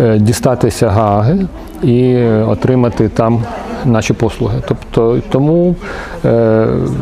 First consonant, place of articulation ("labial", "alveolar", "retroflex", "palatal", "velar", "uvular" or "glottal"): alveolar